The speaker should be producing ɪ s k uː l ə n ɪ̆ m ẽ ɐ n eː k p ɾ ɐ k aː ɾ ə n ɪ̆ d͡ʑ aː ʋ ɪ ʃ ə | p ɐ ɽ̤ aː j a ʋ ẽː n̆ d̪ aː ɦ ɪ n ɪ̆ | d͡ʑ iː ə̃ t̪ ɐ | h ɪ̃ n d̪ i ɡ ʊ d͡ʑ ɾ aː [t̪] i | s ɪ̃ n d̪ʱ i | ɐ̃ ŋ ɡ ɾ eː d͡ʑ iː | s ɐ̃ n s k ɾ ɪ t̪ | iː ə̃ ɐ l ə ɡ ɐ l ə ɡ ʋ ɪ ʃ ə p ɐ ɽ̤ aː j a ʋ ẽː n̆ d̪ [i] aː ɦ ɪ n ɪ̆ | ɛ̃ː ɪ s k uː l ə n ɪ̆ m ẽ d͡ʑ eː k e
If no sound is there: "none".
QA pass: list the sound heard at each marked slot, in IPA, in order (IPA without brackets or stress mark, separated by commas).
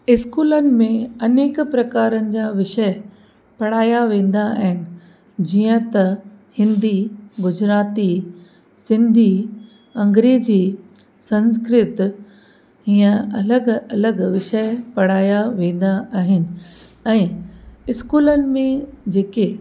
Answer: t̪, a